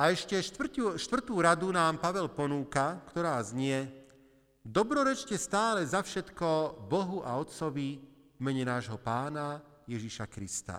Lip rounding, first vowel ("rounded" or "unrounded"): unrounded